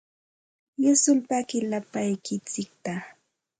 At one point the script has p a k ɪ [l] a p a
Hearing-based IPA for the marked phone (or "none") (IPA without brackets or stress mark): l